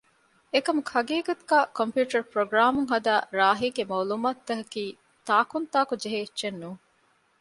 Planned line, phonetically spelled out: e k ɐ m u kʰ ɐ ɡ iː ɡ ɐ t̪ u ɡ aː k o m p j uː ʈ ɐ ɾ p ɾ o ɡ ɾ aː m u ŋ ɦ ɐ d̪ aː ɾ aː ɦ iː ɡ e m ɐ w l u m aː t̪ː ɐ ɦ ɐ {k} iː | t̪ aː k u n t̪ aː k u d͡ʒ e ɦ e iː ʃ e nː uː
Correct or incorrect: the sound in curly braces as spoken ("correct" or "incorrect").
correct